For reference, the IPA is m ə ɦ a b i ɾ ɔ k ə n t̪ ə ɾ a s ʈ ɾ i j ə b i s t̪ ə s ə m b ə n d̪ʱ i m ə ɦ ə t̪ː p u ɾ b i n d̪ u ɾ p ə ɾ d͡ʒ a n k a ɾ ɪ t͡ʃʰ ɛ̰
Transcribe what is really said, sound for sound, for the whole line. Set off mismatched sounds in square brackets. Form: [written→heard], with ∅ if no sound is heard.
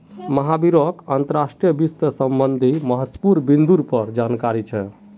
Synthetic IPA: m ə ɦ a b i ɾ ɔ k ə n t̪ ə ɾ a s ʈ ɾ i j ə b i s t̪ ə s ə m b ə n d̪ʱ i m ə ɦ ə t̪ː p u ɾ b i n d̪ u ɾ p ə ɾ d͡ʒ a n k a ɾ [ɪ→i] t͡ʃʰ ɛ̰